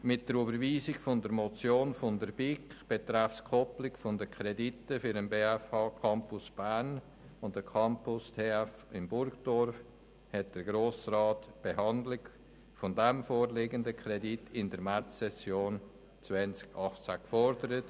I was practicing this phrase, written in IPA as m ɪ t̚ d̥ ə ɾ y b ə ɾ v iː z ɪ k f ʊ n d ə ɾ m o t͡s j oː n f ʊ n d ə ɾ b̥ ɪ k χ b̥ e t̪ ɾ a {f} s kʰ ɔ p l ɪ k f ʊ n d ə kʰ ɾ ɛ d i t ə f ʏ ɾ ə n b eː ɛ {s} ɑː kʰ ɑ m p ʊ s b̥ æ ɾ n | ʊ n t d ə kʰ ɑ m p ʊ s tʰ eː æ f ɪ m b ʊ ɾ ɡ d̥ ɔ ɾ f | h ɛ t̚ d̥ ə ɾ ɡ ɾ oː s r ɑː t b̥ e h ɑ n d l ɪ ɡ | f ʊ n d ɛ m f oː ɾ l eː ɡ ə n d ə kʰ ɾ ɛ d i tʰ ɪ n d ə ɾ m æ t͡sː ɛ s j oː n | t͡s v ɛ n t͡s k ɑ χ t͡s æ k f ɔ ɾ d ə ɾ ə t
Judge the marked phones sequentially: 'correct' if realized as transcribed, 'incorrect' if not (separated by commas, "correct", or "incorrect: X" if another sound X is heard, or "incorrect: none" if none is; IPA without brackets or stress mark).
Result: correct, incorrect: f